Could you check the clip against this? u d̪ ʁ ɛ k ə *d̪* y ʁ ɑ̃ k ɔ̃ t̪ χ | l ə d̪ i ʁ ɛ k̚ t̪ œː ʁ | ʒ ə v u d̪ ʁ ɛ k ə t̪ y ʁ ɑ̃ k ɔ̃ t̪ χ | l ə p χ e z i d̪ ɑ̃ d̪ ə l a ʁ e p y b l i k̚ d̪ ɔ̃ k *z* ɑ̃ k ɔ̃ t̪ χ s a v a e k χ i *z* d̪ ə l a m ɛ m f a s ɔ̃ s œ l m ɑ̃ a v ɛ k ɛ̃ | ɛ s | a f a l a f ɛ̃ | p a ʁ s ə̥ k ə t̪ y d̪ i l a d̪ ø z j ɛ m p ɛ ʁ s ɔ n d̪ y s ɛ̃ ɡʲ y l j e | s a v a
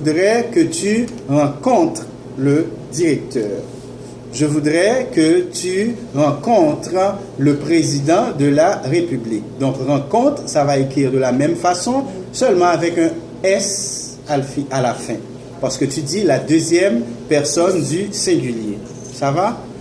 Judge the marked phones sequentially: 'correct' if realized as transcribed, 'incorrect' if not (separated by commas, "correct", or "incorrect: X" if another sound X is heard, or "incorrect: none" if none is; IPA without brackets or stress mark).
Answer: incorrect: t̪, incorrect: ʁ, incorrect: ʁ